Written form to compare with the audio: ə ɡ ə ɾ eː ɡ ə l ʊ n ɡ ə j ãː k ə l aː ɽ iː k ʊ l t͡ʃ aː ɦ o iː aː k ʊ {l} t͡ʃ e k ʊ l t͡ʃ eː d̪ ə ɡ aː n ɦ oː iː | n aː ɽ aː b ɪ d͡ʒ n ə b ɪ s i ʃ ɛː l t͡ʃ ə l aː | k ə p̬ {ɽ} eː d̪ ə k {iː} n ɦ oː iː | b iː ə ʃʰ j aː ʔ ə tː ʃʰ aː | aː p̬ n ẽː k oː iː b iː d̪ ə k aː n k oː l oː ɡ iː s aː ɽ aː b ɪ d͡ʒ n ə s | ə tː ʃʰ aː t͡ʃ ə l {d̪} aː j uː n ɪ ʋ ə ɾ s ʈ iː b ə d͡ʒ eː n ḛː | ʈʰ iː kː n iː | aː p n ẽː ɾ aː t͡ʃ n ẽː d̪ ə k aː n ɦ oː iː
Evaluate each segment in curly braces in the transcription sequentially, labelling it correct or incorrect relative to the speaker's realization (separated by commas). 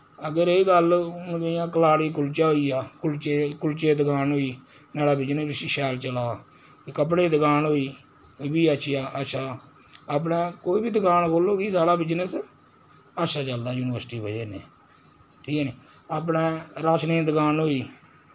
correct, correct, incorrect, correct